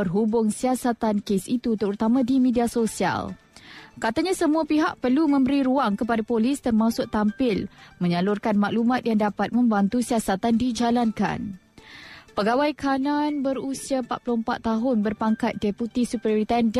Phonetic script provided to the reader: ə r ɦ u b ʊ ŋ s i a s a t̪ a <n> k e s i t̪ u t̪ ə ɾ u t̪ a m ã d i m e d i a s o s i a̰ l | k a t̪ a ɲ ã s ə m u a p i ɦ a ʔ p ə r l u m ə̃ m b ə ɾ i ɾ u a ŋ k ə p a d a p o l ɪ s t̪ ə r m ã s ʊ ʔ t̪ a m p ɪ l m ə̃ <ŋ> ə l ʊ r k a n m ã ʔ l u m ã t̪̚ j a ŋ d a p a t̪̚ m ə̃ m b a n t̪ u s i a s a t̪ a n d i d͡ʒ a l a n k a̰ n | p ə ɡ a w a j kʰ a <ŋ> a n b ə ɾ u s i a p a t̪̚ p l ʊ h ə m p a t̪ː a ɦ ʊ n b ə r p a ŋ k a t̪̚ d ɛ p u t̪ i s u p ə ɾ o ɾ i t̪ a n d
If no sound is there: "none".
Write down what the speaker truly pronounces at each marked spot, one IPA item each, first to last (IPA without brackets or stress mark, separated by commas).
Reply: n, ɲ, n